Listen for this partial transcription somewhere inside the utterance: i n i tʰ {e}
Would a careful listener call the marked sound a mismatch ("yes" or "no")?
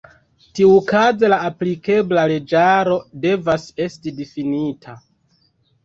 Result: yes